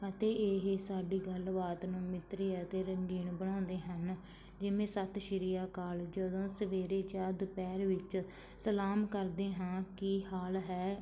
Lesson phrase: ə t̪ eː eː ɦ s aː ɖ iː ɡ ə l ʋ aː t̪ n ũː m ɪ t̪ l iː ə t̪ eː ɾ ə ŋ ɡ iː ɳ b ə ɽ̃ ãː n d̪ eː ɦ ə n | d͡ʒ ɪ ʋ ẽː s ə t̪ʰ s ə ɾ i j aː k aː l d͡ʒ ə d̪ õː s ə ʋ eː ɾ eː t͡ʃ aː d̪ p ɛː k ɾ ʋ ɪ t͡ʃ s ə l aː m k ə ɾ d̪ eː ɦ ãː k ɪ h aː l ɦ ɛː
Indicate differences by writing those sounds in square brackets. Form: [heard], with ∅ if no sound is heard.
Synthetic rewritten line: ə t̪ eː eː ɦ s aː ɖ iː ɡ ə l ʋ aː t̪ n ũː m ɪ t̪ [ɾ] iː ə t̪ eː ɾ ə ŋ ɡ iː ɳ b ə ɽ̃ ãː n d̪ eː ɦ ə n | d͡ʒ ɪ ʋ ẽː s ə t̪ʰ [ʃ] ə ɾ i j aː k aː l d͡ʒ ə d̪ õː s ə ʋ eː ɾ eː t͡ʃ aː d̪ p ɛː [∅] ɾ ʋ ɪ t͡ʃ s ə l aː m k ə ɾ d̪ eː ɦ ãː k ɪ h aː l ɦ ɛː